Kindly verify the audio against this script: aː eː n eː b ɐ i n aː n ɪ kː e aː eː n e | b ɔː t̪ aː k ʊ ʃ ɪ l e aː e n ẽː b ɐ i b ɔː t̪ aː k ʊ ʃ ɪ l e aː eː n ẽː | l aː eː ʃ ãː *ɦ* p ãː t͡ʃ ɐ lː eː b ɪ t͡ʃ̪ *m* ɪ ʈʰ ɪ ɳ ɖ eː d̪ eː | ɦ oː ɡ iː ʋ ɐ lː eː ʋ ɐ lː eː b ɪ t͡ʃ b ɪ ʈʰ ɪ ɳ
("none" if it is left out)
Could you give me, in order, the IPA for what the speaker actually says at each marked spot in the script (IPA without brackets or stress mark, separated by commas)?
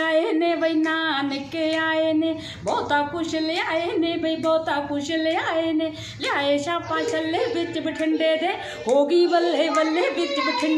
none, b